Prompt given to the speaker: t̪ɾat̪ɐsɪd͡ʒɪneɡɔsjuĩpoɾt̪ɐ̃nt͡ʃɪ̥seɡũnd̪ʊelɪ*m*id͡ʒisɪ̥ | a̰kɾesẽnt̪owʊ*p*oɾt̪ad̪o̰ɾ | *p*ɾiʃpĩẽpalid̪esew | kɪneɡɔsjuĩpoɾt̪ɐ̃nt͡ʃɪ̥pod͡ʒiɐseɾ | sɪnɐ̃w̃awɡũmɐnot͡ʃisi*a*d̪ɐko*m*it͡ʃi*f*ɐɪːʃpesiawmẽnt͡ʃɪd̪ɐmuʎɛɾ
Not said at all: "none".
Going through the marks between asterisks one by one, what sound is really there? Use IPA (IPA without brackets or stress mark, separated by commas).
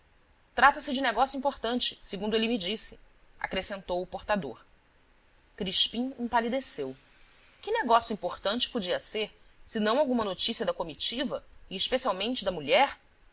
m, p, k, ɐ, m, v